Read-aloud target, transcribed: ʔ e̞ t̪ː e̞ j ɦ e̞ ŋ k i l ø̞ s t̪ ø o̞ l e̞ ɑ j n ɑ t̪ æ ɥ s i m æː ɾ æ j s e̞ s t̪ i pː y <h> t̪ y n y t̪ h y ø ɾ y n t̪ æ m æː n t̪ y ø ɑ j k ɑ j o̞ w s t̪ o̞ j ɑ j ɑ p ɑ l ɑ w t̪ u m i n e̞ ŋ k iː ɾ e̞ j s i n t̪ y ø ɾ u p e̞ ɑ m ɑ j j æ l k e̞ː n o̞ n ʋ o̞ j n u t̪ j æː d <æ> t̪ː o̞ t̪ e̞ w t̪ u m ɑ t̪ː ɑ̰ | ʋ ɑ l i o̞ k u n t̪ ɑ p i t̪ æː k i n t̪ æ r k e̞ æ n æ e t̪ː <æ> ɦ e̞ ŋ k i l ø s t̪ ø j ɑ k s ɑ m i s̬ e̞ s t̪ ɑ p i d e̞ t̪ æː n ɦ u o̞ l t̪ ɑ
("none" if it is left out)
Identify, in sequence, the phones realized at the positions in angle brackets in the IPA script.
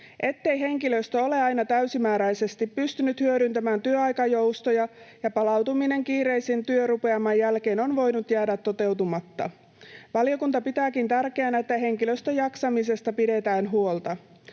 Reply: s, æ, æ

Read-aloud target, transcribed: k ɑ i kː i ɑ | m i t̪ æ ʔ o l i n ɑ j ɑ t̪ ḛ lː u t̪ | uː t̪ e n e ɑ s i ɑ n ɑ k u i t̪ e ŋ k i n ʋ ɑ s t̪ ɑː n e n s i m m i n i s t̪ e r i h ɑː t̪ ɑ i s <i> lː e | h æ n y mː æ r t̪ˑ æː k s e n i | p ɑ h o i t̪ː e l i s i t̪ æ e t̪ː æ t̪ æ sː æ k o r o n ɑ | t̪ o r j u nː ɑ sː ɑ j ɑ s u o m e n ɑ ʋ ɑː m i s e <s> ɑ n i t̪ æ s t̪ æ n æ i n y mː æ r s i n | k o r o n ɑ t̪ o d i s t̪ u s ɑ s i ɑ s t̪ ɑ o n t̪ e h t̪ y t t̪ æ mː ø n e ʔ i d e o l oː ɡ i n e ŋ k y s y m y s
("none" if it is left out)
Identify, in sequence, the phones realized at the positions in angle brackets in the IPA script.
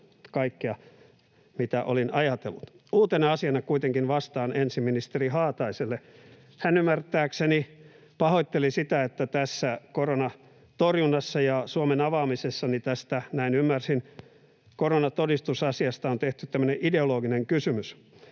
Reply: e, sː

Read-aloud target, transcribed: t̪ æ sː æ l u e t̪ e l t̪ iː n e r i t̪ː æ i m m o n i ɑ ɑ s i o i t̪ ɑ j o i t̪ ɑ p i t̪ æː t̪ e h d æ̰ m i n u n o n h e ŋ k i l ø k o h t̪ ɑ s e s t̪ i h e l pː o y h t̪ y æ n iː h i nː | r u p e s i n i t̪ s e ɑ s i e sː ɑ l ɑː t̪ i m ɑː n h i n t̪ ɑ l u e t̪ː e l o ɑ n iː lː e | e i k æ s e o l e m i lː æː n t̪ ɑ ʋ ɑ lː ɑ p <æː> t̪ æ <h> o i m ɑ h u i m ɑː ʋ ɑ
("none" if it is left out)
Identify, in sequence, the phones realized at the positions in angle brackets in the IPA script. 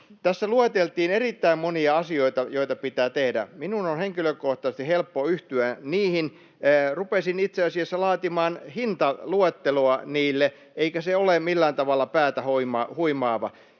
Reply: æː, h

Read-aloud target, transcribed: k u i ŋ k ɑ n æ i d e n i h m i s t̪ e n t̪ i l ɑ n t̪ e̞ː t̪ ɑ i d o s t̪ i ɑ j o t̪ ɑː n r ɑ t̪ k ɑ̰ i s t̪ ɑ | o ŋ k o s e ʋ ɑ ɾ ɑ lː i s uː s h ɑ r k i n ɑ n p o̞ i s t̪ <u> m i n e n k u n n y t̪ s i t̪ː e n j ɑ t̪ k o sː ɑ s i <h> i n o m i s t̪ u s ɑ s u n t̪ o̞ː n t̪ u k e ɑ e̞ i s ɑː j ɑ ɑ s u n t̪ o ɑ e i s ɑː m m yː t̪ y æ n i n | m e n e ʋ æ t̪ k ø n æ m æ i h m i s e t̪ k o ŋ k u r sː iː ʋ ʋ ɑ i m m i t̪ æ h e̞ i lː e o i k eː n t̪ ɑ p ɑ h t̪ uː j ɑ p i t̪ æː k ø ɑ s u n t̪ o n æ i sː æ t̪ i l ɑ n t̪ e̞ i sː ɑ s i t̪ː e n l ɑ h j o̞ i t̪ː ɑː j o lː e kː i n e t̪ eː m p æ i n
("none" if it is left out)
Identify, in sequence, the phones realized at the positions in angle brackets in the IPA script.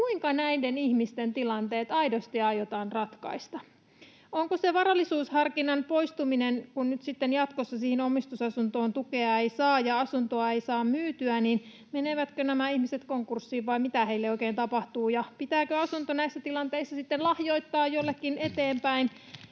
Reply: u, h

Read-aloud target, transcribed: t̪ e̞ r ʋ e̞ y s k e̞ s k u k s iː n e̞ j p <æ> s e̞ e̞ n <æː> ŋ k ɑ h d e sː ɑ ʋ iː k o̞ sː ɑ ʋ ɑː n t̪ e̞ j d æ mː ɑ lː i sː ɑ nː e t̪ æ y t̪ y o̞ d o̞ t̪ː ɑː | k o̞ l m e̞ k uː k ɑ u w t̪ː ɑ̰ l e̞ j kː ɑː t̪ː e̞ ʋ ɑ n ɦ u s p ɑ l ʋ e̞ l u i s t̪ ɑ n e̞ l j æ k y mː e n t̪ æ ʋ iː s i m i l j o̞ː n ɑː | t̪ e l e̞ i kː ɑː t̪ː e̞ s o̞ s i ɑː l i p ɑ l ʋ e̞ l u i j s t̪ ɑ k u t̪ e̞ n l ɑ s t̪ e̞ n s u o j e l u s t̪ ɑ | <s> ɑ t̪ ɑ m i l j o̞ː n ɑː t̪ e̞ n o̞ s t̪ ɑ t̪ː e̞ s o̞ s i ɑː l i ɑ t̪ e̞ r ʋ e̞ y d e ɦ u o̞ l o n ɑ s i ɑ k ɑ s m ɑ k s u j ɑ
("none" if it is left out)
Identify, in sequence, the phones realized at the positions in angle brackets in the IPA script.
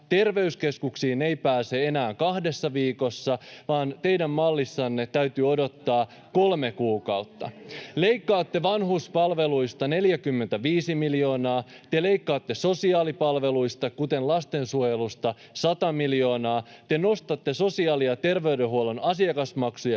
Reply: æː, æː, s

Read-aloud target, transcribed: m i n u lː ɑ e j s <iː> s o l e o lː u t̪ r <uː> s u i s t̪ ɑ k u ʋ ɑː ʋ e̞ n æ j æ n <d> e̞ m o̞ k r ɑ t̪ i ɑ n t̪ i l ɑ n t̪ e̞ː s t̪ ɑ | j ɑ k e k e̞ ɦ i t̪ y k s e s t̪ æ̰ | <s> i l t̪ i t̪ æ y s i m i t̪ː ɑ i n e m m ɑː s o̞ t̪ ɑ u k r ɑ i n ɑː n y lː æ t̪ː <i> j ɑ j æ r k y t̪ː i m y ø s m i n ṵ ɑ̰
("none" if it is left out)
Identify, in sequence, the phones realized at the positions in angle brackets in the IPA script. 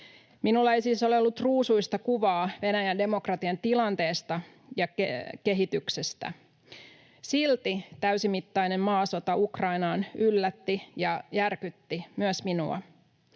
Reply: iː, uː, d, s, i

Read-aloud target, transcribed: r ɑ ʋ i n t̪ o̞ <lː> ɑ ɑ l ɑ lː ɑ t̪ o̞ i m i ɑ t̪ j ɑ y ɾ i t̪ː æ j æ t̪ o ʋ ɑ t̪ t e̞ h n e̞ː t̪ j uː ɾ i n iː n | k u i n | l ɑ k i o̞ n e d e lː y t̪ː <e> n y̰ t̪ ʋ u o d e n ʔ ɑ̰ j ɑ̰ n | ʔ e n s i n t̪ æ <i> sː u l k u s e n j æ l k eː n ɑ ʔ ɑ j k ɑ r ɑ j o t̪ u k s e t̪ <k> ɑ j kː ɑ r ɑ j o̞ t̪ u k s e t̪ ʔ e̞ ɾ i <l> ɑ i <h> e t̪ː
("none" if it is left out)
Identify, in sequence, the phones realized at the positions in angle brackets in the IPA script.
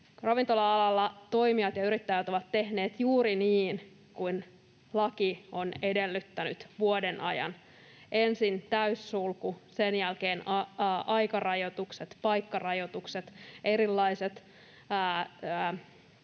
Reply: l, æ, y, p, lː, s

